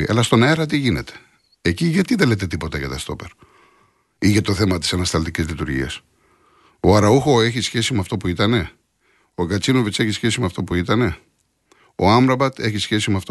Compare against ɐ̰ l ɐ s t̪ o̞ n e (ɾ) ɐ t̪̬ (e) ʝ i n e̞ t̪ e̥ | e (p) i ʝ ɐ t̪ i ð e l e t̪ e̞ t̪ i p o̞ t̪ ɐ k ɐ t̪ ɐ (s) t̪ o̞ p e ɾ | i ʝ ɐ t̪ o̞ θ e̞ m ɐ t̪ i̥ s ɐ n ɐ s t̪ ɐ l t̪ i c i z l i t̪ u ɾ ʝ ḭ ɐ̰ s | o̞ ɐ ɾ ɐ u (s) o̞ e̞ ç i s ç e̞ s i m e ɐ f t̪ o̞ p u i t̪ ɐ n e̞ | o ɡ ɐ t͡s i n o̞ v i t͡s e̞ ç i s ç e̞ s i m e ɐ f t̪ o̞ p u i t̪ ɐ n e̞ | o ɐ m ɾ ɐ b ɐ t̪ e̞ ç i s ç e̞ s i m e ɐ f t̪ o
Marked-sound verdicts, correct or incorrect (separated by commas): correct, incorrect, incorrect, correct, incorrect